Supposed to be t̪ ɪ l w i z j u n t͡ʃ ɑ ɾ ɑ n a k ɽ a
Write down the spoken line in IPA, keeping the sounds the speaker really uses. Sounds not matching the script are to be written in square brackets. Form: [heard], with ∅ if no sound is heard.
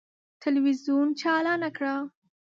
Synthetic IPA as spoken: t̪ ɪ l w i z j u n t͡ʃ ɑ [l] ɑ n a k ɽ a